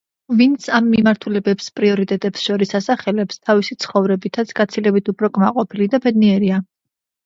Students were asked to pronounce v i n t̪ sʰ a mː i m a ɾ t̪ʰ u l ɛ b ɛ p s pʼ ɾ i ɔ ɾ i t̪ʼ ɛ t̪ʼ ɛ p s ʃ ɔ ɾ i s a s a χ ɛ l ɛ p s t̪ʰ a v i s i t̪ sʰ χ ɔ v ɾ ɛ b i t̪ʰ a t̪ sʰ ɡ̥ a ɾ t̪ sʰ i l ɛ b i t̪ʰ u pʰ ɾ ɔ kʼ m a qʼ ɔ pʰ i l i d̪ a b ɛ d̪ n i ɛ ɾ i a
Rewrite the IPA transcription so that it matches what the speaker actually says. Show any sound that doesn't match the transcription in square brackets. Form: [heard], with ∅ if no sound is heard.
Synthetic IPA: v i n t̪ sʰ a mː i m a ɾ t̪ʰ u l ɛ b ɛ p s pʼ ɾ i ɔ ɾ i t̪ʼ ɛ t̪ʼ ɛ p s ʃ ɔ ɾ i s a s a χ ɛ l ɛ p s t̪ʰ a v i s i t̪ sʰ χ ɔ v ɾ ɛ b i t̪ʰ a t̪ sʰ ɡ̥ a [∅] t̪ sʰ i l ɛ b i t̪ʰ u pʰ ɾ ɔ kʼ m a qʼ ɔ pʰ i l i d̪ a b ɛ d̪ n i ɛ ɾ i a